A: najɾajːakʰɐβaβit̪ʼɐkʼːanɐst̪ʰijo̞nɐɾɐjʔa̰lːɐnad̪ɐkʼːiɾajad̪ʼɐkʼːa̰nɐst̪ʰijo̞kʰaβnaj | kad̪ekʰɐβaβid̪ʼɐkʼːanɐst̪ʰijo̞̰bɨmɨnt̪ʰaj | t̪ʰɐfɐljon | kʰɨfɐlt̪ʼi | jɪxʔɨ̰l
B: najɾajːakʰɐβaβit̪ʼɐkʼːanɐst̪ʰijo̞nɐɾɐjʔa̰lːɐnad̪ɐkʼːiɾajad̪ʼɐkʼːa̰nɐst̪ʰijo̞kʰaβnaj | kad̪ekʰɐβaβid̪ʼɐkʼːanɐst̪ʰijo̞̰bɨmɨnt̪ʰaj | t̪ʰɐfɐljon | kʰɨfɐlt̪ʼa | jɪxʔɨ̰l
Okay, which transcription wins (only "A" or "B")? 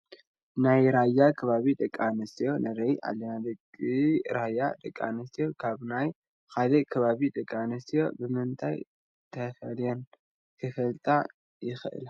B